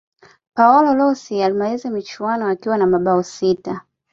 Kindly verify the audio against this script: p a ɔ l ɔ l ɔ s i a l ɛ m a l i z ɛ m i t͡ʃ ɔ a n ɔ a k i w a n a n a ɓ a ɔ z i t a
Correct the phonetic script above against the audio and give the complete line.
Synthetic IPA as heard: p a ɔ l ɔ l ɔ s i a l i m a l i z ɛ m i t͡ʃ u a n ɔ a k i w a n a m a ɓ a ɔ s i t a